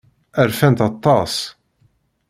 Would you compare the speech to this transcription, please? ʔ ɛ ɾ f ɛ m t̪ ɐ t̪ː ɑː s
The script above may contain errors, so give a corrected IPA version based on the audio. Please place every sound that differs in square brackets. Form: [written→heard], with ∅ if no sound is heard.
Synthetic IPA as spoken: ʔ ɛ ɾ f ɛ [m→n] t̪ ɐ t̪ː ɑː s